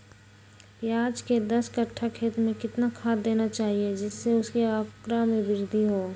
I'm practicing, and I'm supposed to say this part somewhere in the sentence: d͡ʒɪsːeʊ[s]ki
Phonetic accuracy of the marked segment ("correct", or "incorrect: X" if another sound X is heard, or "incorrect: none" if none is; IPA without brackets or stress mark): correct